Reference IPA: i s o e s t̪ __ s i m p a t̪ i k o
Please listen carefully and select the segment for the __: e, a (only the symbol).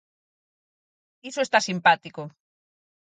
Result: a